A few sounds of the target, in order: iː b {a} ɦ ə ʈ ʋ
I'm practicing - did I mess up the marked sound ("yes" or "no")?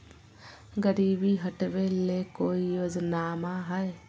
yes